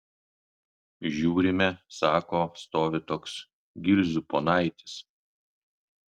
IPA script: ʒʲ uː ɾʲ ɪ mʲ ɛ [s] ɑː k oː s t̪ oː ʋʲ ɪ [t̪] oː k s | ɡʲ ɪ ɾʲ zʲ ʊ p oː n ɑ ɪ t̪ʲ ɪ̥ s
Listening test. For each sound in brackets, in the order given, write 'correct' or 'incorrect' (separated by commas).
correct, correct